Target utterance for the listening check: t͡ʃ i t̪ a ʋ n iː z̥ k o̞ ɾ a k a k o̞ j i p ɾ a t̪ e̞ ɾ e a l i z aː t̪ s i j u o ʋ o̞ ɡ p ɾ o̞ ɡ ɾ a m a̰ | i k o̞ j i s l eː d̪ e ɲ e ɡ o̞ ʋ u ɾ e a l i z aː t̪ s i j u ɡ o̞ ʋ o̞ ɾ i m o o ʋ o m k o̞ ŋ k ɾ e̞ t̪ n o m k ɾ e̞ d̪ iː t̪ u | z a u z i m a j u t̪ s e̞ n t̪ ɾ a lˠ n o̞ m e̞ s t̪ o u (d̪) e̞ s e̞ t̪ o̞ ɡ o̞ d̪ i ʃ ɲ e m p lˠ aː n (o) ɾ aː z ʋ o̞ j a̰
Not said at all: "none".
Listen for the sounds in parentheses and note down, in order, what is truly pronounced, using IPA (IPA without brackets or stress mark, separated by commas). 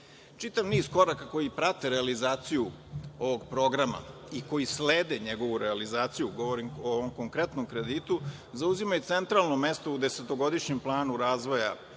d̪, u